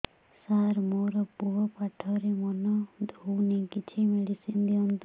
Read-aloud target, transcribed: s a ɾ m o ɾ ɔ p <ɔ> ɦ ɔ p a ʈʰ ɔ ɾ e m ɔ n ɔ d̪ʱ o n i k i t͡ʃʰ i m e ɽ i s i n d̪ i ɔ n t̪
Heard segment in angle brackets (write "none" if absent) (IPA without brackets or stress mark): u